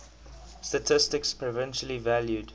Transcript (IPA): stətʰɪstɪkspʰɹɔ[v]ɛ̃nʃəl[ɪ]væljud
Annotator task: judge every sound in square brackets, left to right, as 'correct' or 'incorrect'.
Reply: correct, incorrect: i

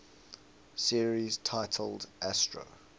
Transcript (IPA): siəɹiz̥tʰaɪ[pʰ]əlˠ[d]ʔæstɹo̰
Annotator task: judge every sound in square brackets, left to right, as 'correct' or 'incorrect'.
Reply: incorrect: tʰ, correct

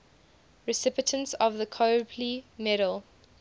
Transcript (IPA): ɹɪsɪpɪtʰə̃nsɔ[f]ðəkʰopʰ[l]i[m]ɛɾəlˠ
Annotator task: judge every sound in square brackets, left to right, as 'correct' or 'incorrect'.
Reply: incorrect: v, correct, correct

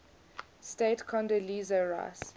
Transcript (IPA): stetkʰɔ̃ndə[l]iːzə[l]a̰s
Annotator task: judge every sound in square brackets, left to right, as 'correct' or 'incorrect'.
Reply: correct, incorrect: ɹ

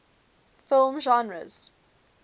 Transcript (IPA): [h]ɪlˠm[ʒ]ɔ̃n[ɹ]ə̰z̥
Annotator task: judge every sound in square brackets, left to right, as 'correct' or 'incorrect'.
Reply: incorrect: f, correct, correct

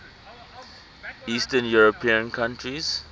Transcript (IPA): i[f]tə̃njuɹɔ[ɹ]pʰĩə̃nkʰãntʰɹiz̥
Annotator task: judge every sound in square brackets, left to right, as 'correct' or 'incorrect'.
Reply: incorrect: s, incorrect: none

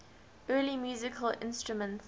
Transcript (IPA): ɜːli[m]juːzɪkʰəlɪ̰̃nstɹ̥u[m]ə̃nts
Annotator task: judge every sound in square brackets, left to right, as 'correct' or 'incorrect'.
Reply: correct, correct

